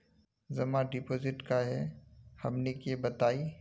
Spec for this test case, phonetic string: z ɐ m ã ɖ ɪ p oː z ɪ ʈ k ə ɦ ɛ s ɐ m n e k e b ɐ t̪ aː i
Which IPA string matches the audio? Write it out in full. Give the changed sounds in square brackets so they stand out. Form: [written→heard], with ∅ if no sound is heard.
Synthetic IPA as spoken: z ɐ m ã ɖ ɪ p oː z ɪ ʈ k [ə→a] ɦ ɛ [s→h] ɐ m n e k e b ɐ t̪ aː i